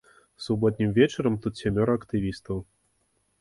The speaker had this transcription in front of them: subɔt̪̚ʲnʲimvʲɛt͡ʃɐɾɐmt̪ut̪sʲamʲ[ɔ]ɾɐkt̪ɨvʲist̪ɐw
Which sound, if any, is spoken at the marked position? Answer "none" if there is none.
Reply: ɔ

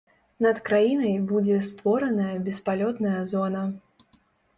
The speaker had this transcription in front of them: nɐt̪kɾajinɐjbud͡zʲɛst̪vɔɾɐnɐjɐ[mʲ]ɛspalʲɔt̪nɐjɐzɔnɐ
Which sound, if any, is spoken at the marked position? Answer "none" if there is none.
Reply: bʲ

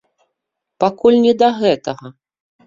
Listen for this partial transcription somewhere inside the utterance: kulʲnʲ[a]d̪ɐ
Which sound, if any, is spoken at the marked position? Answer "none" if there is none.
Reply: ɛ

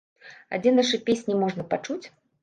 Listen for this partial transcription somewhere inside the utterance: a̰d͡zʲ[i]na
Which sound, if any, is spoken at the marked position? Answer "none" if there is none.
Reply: ɛ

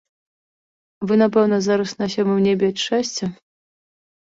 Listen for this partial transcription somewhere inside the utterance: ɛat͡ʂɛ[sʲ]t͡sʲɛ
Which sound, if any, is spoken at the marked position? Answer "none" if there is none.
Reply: sʲ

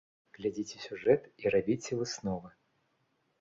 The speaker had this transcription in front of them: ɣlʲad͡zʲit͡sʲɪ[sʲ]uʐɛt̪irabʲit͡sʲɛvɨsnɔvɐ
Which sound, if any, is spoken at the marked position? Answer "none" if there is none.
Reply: sʲ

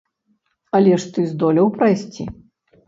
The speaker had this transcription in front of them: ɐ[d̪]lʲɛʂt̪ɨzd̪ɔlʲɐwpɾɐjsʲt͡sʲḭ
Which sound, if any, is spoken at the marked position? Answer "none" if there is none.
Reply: none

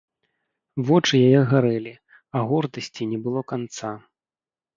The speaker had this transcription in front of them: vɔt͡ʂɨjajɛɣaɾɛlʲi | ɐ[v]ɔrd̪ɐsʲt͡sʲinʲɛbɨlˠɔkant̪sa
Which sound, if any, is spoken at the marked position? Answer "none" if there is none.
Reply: ɣ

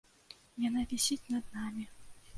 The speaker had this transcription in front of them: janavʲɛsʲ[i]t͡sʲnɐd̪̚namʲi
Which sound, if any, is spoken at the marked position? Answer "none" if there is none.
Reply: i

